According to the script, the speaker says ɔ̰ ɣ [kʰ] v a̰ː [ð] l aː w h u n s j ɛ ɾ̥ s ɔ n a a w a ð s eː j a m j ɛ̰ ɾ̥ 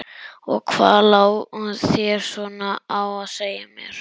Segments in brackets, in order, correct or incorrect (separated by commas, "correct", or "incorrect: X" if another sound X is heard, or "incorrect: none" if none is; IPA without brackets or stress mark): correct, correct